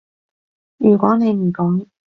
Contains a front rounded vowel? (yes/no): yes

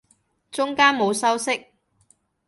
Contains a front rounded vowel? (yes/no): no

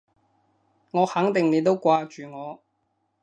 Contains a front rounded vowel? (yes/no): yes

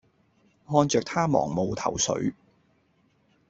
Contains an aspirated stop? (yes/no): yes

